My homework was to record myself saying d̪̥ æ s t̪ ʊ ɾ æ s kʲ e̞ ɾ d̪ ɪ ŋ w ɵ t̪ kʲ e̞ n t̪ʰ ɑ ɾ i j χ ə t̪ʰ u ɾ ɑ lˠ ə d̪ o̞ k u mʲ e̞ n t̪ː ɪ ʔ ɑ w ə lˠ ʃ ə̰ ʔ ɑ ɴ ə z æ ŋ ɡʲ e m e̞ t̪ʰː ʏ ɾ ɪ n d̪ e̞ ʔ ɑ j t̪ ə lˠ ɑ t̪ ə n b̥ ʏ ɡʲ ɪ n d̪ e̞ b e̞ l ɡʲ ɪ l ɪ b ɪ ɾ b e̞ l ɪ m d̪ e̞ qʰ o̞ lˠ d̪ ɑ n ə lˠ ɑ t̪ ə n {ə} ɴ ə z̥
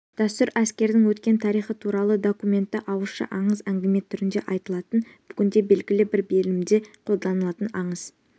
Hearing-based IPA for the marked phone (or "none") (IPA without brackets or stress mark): ɑ